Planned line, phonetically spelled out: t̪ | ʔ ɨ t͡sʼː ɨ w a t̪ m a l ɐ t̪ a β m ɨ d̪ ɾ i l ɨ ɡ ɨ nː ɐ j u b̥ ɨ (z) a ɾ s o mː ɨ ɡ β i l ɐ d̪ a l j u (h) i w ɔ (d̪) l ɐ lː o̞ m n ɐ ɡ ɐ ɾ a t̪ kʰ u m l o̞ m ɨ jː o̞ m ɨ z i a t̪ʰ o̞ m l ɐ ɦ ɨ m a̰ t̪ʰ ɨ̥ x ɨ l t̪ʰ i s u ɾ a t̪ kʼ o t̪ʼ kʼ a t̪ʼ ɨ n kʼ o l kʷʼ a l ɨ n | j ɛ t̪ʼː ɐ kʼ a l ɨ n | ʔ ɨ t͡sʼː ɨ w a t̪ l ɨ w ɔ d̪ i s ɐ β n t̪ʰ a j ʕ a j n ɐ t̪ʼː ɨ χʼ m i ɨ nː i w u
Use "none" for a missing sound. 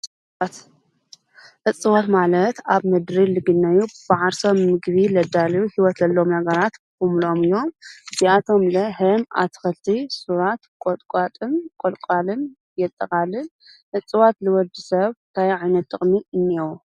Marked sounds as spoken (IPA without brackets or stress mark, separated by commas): ʕ, h, t̪